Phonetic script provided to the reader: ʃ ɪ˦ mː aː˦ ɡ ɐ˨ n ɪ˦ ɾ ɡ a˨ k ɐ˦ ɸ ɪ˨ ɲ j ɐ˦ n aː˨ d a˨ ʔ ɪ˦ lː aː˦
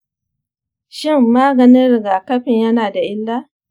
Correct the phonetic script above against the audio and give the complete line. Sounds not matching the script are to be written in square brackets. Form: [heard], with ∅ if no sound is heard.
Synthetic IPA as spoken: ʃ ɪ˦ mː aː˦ ɡ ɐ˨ n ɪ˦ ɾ ɡ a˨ k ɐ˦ ɸ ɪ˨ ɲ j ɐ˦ n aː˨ d a˨ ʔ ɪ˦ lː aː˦